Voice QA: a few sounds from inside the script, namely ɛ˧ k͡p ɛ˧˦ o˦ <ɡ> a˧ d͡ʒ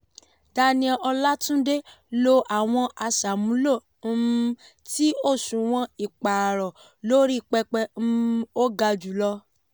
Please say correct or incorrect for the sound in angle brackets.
correct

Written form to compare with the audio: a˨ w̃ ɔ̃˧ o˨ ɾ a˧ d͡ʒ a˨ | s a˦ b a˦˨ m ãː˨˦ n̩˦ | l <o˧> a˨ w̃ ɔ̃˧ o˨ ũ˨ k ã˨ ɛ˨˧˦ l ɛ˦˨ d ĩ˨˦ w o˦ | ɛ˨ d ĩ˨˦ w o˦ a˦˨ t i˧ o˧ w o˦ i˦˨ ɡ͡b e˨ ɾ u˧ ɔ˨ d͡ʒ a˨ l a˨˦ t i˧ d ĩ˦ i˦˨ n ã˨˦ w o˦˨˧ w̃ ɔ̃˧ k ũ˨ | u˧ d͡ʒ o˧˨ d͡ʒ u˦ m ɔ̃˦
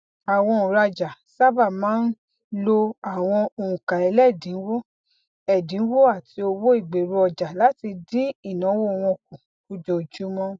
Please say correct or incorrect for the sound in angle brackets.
correct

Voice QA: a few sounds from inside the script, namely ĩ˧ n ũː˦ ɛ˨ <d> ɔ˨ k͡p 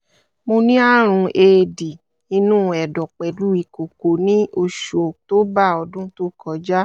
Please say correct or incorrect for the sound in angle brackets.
correct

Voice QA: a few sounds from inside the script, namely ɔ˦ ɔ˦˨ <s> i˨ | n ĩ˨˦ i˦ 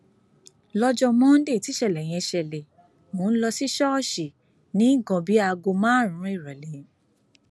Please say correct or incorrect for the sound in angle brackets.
incorrect: ʃ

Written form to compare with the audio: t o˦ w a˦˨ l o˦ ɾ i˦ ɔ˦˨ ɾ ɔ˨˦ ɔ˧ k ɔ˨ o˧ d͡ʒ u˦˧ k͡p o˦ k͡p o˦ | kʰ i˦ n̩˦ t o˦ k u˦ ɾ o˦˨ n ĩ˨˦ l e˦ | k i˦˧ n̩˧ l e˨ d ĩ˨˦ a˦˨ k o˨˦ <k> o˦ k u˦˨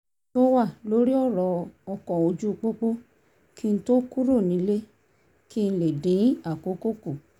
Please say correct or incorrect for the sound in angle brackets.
correct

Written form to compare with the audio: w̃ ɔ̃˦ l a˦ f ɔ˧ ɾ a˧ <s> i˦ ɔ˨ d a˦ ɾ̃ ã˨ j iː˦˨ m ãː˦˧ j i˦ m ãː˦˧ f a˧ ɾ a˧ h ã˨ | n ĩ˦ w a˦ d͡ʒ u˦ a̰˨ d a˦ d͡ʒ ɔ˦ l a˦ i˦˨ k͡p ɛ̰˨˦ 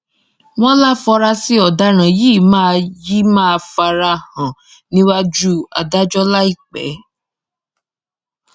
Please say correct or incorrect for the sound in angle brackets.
correct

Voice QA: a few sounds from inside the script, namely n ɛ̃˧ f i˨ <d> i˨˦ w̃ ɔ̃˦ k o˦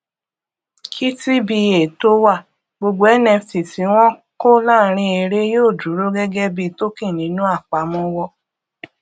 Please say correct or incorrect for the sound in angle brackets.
incorrect: t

